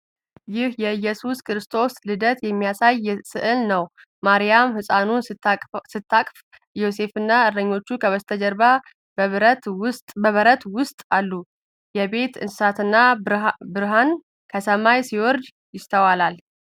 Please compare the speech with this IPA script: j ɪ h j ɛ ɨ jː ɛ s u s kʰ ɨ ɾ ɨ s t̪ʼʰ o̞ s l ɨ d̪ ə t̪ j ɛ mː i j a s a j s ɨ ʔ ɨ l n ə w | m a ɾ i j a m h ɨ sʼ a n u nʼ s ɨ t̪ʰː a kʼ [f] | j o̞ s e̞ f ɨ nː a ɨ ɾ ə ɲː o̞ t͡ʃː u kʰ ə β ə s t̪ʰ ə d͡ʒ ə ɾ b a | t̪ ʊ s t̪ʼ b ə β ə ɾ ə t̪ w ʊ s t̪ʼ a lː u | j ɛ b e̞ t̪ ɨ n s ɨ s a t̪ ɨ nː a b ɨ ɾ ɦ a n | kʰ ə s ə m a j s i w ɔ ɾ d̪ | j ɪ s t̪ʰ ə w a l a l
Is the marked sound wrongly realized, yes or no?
no